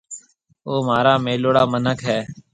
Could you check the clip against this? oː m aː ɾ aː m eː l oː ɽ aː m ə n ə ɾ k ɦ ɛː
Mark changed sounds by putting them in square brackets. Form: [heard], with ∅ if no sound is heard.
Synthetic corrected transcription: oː m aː ɾ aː m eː l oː ɽ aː m ə n ə [∅] k ɦ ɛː